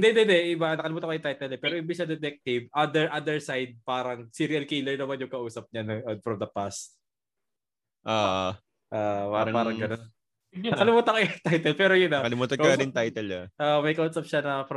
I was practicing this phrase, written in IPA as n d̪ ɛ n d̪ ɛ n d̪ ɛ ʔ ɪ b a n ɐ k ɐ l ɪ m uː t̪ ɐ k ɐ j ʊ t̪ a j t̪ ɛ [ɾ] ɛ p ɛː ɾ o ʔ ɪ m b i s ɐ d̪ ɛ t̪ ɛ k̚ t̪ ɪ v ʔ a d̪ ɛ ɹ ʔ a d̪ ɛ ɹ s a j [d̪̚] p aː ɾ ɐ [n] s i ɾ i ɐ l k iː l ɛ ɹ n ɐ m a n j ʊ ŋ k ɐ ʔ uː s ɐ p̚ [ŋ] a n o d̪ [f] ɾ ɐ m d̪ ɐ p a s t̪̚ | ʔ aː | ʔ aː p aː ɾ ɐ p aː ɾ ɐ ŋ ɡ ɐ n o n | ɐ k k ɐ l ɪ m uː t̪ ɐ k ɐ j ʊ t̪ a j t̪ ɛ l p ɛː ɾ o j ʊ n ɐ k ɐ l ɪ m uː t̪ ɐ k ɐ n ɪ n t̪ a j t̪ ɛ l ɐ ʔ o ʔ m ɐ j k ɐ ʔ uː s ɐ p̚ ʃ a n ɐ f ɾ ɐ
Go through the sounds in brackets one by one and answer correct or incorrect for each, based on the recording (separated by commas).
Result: incorrect, correct, incorrect, incorrect, correct